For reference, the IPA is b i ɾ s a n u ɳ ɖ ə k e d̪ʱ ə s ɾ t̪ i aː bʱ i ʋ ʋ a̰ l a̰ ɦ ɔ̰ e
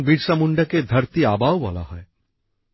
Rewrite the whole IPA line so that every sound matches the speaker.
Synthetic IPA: b i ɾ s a m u ɳ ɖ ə k e d̪ʱ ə ɾ t̪ i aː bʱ a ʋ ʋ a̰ l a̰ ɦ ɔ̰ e